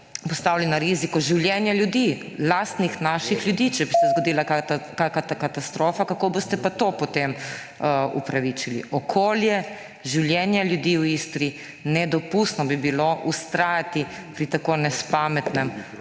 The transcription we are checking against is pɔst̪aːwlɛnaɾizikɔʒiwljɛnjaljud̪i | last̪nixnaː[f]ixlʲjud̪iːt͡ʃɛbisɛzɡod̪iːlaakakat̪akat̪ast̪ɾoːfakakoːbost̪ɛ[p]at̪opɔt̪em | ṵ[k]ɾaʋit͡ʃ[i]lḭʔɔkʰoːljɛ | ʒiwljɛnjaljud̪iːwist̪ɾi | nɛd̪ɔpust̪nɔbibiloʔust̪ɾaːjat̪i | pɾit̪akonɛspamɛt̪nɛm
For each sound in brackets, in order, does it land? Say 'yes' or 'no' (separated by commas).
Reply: no, yes, no, yes